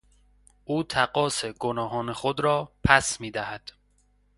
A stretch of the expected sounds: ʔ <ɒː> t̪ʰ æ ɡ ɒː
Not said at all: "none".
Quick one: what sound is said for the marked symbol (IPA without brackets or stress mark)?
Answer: uː